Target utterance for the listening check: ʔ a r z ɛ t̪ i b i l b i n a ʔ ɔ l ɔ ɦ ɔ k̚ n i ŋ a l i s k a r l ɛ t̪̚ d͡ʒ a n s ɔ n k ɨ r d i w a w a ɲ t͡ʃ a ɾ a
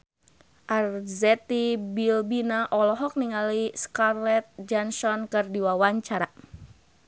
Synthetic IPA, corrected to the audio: ʔ a r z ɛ t̪ i b i l b i n a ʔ ɔ l ɔ ɦ ɔ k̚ n i ŋ a l i s k a r l ɛ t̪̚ d͡ʒ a n s ɔ n k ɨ r d i w a w a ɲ t͡ʃ a ɾ a